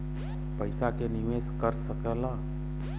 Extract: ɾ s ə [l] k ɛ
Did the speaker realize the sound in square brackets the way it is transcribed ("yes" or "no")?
no